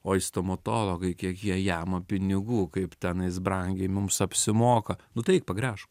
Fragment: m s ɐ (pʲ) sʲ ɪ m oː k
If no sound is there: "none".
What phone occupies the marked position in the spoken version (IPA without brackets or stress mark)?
pʲ